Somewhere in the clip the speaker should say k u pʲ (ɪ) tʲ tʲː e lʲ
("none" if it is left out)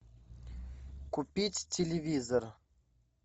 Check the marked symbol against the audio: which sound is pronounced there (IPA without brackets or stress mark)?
i